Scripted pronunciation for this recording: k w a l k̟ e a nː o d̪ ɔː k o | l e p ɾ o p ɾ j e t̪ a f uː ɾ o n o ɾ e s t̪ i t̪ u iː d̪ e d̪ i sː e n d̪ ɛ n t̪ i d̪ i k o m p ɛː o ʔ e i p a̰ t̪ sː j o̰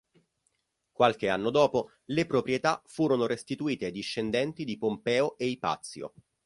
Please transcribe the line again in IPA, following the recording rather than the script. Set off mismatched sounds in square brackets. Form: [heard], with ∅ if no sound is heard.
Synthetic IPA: k w a l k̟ e a nː o d̪ ɔː [p] o | l e p ɾ o p ɾ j e t̪ a f uː ɾ o n o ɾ e s t̪ i t̪ u iː [t̪] e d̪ i [ʃː] e n d̪ ɛ n t̪ i d̪ i [p] o m p ɛː o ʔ e i p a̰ t̪ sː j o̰